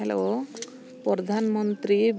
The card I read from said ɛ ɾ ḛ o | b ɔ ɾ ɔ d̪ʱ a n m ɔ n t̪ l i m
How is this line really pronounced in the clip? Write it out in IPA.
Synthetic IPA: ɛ l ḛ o | p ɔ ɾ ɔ d̪ʱ a n m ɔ n t̪ ɾ i b